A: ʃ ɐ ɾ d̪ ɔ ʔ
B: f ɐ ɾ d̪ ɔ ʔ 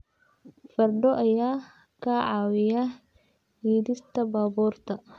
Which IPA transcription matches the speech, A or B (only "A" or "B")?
B